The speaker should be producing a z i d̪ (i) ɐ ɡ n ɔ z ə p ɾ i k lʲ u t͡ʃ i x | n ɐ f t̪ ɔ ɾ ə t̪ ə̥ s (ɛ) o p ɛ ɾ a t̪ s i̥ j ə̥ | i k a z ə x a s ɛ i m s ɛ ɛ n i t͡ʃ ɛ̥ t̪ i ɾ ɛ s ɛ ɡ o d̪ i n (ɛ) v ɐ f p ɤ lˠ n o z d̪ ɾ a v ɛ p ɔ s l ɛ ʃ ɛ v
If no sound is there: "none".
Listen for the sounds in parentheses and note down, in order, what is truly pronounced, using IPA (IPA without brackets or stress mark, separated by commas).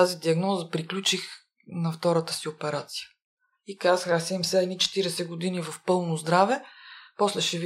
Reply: i, i, i